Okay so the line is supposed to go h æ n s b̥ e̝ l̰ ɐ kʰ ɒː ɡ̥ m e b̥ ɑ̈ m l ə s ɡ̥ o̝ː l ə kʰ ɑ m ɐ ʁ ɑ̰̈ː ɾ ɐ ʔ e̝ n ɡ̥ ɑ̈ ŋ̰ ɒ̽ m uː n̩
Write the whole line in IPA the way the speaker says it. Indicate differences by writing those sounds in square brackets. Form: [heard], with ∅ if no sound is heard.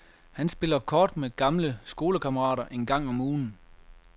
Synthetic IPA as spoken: h æ n s b̥ e̝ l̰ ɐ kʰ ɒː [d̥] m e [ɡ̥] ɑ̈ m l ə s ɡ̥ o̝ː l ə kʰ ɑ m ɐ ʁ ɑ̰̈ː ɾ ɐ ʔ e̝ n ɡ̥ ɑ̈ ŋ̰ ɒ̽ m uː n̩